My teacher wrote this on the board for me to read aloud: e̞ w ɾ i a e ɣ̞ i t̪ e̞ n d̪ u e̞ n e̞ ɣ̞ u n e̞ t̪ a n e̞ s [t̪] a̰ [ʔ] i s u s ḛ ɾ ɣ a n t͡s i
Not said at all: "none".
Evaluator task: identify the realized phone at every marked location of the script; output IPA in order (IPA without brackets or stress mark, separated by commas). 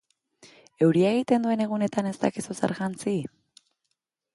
t̪, k